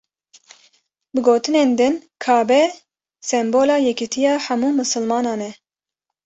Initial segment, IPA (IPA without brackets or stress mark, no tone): b